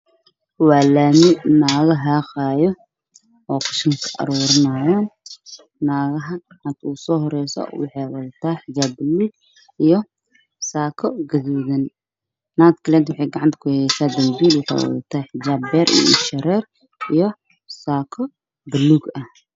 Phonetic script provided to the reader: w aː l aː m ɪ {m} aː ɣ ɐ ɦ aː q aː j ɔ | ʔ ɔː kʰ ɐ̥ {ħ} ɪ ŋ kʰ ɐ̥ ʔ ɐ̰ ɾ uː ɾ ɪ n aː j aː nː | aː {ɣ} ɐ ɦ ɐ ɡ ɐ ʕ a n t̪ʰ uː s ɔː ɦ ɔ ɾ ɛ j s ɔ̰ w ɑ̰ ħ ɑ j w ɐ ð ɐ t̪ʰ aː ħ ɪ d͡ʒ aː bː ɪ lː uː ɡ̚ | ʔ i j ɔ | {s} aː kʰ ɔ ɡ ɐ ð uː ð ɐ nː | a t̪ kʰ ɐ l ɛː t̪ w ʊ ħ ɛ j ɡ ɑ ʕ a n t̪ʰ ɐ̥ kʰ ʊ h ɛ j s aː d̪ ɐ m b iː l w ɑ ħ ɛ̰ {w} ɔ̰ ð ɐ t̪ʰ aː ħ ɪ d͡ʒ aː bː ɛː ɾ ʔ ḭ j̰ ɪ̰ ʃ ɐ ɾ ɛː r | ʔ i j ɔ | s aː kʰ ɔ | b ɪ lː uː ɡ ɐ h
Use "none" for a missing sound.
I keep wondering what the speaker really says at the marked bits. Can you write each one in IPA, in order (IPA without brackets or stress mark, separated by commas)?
n, ʃ, ɣ, s, w